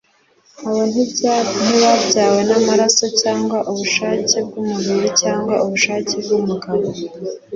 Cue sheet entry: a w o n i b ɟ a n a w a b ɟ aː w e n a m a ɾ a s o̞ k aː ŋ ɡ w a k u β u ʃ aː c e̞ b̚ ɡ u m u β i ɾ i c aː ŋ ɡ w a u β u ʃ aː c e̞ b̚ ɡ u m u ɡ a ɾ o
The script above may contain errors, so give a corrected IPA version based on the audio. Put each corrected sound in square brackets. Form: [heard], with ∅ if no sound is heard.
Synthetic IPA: a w o n i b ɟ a n [i] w a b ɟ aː w e n a m a ɾ a s o̞ [c] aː ŋ ɡ w a [ʔ] u β u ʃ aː c e̞ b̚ ɡ u m u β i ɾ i c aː ŋ ɡ w a u β u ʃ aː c e̞ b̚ ɡ u m u ɡ a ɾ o